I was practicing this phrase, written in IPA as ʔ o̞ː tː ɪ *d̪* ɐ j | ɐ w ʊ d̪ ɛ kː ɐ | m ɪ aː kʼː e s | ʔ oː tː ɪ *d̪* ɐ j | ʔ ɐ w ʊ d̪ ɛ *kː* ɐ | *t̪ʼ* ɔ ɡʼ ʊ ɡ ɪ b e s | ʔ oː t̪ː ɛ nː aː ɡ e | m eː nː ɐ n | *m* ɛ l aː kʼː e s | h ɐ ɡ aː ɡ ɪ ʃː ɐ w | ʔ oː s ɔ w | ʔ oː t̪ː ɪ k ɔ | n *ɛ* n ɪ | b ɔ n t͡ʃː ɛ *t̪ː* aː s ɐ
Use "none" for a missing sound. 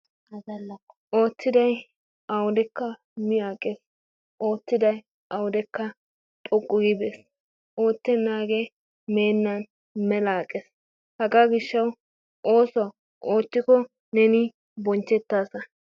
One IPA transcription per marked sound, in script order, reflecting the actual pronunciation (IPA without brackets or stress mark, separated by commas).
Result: d̪, d̪, kː, t̪ʼ, m, ɛ, t̪ː